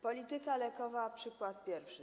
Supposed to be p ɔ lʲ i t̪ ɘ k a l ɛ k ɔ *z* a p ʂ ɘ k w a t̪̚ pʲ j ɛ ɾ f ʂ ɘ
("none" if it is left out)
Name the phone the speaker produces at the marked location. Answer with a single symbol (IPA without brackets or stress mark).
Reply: v